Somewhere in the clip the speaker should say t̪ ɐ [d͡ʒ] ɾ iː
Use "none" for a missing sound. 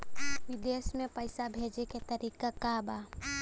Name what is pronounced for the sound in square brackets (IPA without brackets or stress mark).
none